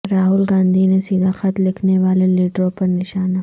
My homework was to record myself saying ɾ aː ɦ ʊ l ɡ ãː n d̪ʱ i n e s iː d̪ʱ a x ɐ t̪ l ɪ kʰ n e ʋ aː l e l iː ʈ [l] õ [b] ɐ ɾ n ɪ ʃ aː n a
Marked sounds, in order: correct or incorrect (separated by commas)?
incorrect, incorrect